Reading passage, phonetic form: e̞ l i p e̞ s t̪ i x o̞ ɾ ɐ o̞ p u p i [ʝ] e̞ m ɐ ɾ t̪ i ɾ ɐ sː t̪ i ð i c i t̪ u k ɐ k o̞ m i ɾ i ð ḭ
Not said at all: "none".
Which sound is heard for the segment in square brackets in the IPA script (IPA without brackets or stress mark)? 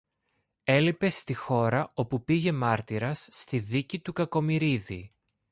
ʝ